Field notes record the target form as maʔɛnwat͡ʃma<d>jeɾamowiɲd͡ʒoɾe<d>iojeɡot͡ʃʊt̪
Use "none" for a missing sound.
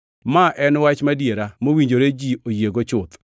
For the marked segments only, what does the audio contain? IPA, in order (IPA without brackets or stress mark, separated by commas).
d, d͡ʒ